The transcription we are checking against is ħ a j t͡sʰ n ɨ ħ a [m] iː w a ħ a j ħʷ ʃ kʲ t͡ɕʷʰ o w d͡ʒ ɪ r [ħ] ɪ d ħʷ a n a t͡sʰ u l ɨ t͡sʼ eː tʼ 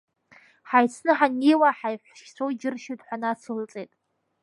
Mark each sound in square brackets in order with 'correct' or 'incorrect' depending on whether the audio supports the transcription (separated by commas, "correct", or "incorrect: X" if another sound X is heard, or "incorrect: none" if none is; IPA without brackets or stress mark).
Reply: incorrect: n, incorrect: ʃ